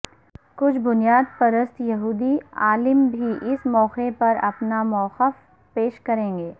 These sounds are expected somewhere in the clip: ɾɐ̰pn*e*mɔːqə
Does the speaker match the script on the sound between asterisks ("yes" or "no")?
no